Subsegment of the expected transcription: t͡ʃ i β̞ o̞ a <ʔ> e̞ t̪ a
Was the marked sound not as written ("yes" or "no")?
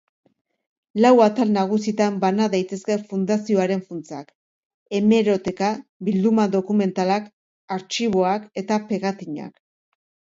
yes